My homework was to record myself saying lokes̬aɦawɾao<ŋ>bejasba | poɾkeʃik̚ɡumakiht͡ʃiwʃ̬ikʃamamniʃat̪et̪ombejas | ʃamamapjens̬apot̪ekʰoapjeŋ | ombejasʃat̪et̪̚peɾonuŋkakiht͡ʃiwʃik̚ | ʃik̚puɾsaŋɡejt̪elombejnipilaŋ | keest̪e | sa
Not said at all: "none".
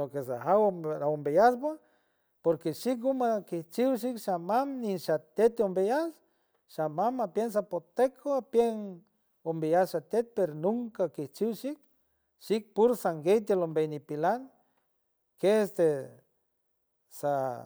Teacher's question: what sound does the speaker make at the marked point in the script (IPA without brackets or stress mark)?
m